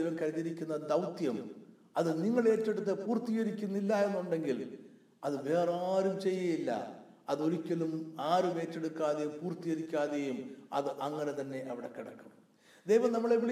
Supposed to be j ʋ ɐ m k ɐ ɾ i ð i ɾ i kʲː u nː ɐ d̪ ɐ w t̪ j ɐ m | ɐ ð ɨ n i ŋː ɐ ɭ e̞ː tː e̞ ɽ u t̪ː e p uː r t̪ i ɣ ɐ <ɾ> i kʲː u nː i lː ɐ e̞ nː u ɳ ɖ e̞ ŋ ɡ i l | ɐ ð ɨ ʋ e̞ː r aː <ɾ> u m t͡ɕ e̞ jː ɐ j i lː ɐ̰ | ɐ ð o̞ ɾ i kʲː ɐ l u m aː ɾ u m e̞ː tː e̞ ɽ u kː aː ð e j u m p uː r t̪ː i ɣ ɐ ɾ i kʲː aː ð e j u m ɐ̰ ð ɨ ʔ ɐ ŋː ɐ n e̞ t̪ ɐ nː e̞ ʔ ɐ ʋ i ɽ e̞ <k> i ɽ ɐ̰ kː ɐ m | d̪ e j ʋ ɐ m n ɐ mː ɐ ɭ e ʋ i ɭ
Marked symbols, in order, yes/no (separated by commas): yes, yes, yes